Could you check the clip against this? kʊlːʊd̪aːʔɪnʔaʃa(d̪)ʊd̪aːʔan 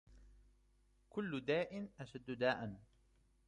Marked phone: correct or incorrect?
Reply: incorrect: d̪ː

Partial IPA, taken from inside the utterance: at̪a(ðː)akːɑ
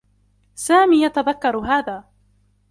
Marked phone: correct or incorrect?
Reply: incorrect: ð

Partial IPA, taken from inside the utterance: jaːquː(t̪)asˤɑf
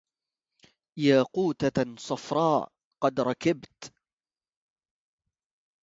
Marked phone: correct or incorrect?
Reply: correct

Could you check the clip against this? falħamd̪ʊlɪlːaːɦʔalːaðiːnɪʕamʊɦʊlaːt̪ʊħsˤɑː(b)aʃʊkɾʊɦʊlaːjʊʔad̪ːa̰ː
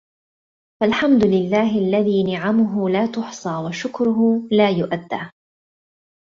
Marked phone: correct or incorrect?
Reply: incorrect: w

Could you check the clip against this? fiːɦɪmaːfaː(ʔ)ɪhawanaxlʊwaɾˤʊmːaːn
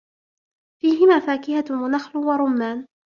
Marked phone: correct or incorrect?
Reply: incorrect: k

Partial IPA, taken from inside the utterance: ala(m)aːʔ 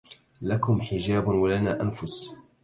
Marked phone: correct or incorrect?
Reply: incorrect: n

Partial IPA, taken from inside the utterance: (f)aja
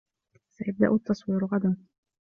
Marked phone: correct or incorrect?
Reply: incorrect: s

